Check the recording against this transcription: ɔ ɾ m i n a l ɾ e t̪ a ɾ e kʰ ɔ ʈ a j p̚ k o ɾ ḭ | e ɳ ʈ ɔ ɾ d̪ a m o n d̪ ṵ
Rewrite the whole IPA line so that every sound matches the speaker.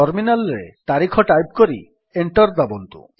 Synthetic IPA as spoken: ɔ ɾ m i n a l ɾ e t̪ a ɾ i kʰ ɔ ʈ a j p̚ k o ɾ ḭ | e ɳ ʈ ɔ ɾ d̪ a b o n t̪ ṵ